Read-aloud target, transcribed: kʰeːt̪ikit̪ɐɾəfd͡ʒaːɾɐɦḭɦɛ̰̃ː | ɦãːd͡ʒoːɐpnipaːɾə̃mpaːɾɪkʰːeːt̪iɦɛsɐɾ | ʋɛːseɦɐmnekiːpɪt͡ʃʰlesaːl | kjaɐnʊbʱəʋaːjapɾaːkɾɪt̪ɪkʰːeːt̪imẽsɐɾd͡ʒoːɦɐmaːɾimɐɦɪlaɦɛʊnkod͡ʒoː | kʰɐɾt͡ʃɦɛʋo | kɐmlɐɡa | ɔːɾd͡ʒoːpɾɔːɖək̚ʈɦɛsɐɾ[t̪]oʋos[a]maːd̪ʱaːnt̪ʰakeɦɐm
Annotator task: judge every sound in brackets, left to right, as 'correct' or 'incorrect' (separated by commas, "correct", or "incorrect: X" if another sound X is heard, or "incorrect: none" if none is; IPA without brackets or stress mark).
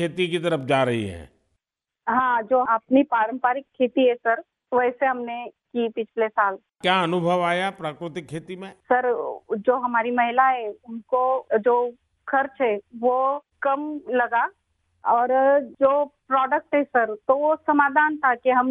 correct, incorrect: ɐ